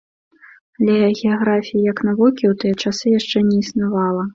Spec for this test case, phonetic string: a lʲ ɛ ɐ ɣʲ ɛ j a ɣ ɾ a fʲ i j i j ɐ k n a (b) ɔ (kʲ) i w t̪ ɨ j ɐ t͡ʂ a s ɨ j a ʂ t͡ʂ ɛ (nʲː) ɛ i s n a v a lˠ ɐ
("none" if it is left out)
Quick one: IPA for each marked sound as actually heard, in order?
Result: v, kʲ, nʲ

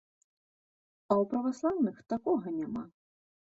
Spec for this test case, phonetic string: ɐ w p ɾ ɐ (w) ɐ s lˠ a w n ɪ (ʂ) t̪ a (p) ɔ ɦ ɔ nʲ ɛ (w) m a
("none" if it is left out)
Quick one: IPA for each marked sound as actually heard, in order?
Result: ʋ, x, k, none

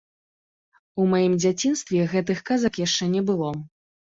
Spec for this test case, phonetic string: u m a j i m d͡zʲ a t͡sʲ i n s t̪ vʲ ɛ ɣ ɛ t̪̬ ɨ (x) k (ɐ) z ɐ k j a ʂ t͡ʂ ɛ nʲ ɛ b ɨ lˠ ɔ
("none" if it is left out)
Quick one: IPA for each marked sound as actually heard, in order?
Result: x, a

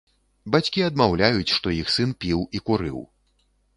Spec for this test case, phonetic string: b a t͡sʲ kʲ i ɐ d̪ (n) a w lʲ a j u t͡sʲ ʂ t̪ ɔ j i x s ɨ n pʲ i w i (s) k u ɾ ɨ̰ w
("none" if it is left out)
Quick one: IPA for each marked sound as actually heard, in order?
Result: m, none

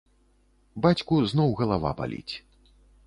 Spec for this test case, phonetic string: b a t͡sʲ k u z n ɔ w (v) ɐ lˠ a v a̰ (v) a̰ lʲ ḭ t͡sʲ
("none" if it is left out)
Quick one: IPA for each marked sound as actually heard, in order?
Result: ɣ, b

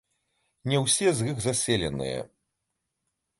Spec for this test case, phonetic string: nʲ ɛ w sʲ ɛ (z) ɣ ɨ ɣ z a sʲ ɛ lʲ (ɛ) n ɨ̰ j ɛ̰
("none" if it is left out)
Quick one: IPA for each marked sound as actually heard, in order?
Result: z, ɛ

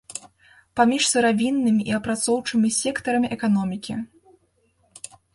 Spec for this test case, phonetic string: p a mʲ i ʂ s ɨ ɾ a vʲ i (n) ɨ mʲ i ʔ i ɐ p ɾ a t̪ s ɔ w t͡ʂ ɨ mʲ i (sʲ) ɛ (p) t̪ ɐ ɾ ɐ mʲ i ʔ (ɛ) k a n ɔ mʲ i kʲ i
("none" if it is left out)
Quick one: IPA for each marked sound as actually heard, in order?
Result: nː, sʲ, k, ɛ

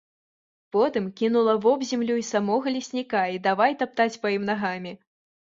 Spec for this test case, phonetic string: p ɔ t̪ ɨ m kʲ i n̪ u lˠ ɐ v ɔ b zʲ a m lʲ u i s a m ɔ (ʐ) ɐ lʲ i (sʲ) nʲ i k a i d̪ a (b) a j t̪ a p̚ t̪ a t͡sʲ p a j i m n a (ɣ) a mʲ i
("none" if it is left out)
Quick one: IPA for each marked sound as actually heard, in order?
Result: ɣ, sʲ, v, ɣ

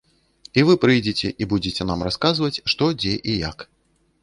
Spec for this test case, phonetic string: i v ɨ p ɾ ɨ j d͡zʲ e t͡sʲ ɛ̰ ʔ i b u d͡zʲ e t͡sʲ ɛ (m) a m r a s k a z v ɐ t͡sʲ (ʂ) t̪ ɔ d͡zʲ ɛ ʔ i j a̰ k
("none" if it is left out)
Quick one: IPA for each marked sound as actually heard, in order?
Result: n, ʂ

